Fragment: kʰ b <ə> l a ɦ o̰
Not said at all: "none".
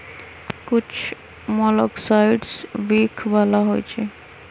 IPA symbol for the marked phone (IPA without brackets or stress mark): a